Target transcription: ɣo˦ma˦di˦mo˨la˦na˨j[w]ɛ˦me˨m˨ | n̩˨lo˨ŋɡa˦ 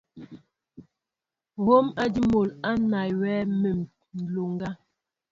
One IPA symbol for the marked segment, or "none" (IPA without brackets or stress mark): w